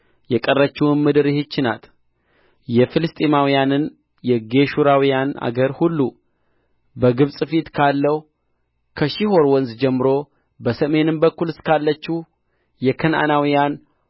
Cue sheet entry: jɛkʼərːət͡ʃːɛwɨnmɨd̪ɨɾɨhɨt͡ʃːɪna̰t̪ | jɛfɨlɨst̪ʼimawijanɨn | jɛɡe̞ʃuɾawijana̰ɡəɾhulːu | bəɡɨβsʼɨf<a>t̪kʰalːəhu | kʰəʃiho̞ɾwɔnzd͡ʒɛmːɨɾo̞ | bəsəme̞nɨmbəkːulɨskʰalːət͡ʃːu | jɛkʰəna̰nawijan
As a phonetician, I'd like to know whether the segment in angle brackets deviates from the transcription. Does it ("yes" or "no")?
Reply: yes